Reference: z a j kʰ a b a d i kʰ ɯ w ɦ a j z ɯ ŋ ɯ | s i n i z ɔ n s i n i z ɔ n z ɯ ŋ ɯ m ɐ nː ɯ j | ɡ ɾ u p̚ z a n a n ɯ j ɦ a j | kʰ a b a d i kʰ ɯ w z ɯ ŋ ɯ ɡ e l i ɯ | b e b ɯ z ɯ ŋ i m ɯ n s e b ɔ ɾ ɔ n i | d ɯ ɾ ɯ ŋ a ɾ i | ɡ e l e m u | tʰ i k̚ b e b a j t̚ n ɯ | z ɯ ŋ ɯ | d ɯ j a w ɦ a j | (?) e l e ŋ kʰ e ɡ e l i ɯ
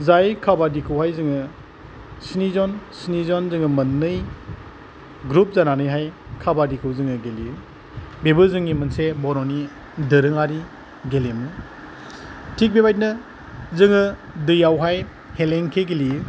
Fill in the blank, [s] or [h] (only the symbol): h